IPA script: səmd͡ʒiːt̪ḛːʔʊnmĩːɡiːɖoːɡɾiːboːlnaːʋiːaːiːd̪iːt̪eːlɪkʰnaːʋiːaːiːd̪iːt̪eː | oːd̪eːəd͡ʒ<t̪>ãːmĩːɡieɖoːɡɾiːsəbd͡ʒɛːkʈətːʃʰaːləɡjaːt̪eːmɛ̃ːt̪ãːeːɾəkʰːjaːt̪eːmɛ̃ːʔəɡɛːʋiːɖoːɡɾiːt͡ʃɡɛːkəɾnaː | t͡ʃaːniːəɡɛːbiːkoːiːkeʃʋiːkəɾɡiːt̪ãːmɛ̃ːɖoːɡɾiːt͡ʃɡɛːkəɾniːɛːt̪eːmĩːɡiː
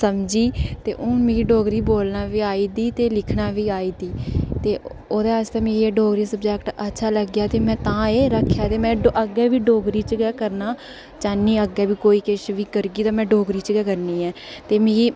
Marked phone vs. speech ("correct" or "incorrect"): correct